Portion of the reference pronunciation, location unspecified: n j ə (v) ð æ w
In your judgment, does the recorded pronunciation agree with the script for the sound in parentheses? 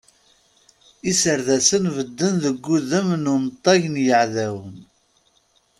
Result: no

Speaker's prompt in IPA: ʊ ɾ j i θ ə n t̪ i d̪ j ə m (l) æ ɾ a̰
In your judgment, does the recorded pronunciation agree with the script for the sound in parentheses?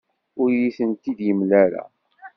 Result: yes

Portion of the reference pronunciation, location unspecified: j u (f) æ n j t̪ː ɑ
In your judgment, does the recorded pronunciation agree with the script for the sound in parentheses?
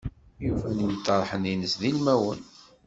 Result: yes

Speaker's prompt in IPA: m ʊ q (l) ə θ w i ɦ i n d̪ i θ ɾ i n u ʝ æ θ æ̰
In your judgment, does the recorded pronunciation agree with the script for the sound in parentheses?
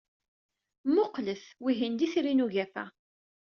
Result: yes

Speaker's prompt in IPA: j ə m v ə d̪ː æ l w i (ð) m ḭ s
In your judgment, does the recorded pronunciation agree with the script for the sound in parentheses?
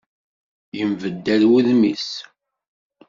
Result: yes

